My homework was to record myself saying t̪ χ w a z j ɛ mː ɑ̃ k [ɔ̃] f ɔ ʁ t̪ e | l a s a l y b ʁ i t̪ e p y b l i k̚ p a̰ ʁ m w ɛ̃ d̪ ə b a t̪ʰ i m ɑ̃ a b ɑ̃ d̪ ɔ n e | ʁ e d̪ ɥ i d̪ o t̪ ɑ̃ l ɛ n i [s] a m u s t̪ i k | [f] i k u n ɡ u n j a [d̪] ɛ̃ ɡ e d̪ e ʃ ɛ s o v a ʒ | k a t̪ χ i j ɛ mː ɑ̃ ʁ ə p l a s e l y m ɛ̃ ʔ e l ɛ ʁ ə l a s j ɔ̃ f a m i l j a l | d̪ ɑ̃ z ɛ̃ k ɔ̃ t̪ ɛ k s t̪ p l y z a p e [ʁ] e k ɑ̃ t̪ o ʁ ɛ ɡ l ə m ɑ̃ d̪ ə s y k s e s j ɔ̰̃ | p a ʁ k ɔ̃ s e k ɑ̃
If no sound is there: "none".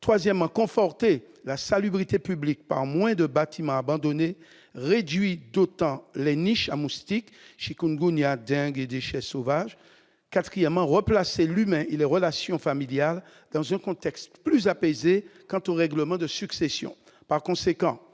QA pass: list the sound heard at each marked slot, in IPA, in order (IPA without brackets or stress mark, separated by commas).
ɔ̃, ʃ, ʃ, d̪, z